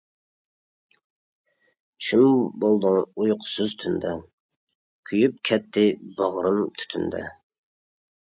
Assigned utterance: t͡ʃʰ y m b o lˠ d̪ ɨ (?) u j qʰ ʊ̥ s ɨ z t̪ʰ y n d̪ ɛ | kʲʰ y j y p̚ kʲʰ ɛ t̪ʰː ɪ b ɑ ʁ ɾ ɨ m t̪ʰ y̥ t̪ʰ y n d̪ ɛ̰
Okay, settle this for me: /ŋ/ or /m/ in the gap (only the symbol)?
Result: ŋ